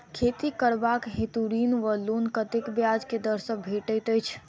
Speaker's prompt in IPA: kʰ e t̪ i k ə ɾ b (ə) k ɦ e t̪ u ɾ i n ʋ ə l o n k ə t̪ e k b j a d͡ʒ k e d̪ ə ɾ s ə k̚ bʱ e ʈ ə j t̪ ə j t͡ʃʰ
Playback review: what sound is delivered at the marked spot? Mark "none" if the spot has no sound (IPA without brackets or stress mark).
a